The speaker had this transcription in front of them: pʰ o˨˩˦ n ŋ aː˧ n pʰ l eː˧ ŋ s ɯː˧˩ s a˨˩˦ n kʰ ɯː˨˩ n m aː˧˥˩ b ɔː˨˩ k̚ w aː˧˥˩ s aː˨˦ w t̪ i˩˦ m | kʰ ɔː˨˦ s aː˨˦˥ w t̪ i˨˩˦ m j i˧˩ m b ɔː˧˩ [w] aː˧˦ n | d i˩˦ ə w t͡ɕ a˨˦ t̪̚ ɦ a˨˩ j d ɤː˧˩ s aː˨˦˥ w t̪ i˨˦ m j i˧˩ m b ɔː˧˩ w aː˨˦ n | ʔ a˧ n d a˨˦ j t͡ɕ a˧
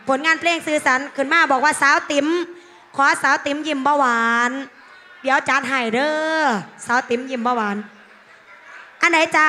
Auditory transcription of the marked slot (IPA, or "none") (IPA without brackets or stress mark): w